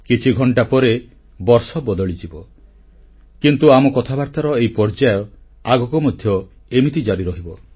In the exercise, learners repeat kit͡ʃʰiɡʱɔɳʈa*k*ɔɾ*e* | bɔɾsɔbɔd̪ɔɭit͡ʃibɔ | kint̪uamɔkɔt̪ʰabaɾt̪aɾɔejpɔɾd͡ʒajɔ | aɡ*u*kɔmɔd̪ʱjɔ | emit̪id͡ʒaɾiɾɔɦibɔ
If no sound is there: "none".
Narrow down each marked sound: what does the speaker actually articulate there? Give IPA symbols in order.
p, e, ɔ

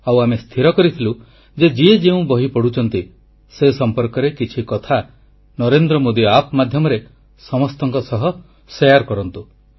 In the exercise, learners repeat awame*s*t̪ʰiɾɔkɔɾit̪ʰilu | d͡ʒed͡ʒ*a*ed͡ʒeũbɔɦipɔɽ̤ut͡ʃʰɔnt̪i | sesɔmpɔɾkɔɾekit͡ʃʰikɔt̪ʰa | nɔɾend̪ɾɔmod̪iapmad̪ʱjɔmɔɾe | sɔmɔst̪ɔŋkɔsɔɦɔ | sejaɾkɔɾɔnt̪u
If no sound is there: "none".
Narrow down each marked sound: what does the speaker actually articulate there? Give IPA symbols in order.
s, i

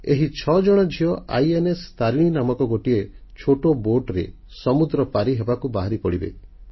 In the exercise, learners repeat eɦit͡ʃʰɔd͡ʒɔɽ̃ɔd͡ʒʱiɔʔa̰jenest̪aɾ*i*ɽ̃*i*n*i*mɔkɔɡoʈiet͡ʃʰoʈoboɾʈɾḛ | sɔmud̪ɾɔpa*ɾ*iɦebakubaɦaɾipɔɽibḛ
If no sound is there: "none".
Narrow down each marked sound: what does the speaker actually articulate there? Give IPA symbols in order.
i, i, a, ɾ

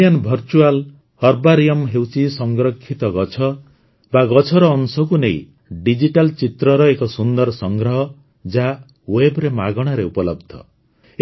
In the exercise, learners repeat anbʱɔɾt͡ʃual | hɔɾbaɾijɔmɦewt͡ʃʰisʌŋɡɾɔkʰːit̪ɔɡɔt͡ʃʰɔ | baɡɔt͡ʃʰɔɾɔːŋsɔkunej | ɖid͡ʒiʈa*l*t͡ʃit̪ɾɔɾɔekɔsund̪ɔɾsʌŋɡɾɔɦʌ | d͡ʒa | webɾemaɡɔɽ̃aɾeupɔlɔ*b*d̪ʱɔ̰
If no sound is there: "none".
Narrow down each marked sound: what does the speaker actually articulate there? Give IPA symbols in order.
l, b

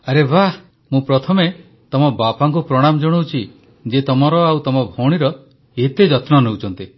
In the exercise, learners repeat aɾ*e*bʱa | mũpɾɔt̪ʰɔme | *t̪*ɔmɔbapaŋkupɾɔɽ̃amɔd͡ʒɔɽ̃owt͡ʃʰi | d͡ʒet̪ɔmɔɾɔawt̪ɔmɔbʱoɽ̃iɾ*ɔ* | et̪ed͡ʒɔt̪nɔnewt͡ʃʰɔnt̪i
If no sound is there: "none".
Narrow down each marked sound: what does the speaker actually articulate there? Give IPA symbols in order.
e, t̪, ɔ

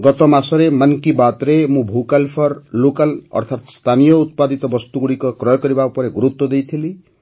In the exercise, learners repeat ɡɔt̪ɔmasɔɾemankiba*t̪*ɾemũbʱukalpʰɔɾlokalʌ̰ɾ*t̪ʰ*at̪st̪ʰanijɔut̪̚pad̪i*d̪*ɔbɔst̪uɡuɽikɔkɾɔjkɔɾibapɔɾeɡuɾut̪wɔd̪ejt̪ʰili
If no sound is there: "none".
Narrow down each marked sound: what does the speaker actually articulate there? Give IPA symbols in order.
t̪, t̪ʰ, t̪

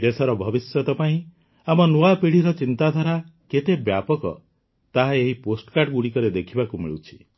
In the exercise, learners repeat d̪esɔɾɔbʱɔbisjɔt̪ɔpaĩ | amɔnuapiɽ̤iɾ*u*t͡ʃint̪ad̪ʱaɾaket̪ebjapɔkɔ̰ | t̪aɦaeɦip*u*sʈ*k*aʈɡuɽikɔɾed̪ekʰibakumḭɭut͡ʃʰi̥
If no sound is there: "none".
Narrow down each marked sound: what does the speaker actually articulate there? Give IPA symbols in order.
ɔ, o, k

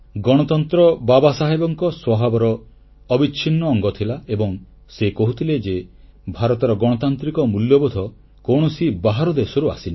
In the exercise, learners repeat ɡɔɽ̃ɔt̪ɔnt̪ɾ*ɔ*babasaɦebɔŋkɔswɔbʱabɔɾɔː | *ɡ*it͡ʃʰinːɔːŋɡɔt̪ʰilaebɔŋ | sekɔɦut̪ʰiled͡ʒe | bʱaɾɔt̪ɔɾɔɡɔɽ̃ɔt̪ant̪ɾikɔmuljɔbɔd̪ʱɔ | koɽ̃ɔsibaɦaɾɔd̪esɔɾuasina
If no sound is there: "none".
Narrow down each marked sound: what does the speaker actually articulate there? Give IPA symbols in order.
ɔ, b

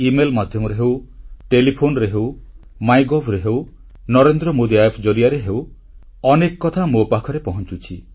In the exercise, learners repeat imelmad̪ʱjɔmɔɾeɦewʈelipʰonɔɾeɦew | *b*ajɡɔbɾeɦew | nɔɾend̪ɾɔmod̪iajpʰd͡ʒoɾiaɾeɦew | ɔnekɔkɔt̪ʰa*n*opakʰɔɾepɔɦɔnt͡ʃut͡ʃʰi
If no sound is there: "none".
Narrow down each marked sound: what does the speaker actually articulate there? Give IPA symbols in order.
m, m

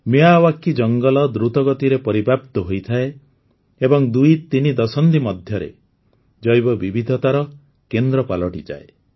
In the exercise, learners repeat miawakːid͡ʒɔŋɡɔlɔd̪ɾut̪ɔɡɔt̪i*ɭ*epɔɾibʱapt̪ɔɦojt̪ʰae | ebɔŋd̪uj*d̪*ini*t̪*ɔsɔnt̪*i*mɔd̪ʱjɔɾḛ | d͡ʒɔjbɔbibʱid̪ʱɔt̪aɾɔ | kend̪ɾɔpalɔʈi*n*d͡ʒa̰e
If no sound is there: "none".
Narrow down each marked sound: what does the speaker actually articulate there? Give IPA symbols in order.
ɾ, t̪, d̪, i, none

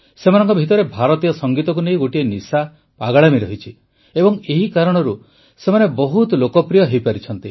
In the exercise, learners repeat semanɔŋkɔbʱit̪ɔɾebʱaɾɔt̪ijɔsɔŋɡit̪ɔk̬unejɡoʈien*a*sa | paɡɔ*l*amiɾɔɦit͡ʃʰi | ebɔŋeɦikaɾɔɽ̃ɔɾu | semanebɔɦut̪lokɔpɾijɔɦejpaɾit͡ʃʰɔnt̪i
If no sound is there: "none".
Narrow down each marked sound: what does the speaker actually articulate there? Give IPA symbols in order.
i, ɭ

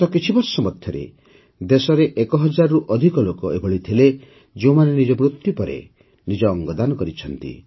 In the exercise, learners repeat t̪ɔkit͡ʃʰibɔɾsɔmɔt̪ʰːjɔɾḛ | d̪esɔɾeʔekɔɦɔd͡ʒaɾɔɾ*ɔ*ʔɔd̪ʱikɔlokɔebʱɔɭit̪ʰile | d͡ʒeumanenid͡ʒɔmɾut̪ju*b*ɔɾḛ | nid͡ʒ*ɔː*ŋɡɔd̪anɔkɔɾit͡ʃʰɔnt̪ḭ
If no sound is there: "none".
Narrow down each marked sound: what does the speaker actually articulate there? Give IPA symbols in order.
u, p, ɔː

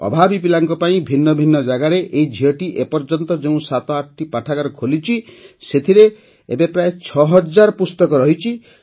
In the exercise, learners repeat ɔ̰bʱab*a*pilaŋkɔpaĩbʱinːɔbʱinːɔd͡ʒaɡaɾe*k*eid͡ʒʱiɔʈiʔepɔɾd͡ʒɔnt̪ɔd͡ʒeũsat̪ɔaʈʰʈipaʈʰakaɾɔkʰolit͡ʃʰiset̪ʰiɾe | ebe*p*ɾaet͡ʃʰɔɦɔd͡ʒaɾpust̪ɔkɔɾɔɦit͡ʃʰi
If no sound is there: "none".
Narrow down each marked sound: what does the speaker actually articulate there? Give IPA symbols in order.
i, ʔ, p

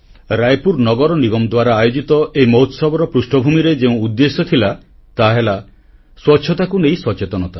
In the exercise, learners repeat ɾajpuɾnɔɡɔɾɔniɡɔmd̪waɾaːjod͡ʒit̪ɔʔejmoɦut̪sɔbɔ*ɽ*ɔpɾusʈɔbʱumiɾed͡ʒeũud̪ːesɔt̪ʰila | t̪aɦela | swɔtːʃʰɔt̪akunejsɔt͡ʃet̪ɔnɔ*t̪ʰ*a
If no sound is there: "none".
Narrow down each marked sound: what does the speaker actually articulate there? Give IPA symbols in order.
ɾ, t̪

